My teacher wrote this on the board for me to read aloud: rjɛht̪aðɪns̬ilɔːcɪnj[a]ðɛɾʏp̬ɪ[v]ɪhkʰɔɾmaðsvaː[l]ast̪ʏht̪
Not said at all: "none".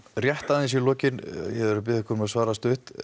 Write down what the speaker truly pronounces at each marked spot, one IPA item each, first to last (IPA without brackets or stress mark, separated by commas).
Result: ɛ, ð, ɾ